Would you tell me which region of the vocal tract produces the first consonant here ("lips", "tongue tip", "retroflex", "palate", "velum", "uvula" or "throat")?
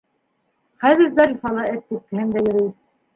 uvula